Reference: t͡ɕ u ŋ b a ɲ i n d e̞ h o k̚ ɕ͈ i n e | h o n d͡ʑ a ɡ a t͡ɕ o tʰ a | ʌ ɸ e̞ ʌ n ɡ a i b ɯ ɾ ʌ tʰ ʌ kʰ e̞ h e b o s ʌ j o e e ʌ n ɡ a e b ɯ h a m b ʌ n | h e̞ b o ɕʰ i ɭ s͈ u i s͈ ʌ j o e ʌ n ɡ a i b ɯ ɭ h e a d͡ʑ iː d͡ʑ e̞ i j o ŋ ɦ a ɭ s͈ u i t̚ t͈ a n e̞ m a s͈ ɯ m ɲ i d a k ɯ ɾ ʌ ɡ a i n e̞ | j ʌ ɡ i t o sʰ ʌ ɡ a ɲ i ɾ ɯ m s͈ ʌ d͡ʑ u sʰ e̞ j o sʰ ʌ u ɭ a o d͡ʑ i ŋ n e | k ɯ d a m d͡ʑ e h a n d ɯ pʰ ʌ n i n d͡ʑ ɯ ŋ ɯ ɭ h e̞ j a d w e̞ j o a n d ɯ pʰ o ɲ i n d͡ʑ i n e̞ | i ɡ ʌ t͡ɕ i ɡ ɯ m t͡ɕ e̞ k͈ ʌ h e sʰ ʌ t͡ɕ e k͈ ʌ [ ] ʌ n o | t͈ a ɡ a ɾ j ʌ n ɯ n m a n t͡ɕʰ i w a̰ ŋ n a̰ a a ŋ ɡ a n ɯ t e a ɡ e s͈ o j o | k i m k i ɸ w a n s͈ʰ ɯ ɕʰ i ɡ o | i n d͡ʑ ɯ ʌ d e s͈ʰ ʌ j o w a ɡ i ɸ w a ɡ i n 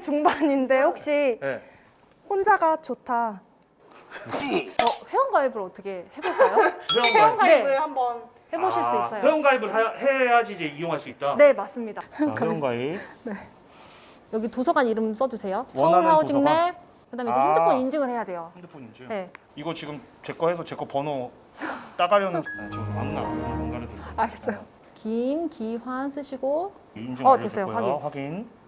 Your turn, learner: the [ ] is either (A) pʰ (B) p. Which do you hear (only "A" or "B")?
B